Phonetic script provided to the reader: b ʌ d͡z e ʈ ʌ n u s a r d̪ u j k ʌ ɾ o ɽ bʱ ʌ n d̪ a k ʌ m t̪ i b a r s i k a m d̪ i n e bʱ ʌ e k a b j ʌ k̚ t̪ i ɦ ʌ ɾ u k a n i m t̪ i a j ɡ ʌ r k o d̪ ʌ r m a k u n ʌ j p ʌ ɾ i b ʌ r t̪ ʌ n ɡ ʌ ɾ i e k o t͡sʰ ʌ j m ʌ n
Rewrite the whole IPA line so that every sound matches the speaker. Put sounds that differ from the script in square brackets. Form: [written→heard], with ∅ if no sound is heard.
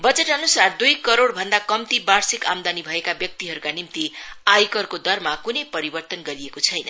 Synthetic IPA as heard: b ʌ d͡z e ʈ ʌ n u s a r d̪ u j k ʌ ɾ o ɽ bʱ ʌ n d̪ a k ʌ m t̪ i b a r s i k a m d̪ [i→a] n [e→i] bʱ ʌ e k a b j ʌ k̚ t̪ i ɦ ʌ ɾ u k a n i m t̪ i a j [ɡ→k] ʌ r k o d̪ ʌ r m a k u n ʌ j p ʌ ɾ i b ʌ r t̪ ʌ n ɡ ʌ ɾ i e k o t͡sʰ ʌ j [m→n] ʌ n